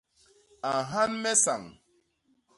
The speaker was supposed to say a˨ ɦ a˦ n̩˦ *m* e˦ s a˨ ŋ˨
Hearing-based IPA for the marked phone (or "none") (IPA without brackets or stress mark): m